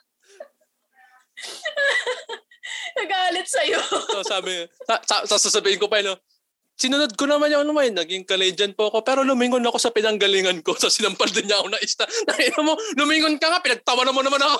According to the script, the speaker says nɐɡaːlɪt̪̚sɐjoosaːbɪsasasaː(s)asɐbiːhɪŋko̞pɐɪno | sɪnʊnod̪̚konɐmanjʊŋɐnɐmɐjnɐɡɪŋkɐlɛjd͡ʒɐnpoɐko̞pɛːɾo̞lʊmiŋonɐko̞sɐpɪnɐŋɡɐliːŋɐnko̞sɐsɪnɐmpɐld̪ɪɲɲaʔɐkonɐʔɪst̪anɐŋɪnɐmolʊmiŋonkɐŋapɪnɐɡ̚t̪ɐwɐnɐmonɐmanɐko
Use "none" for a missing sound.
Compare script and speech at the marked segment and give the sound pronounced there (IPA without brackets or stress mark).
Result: s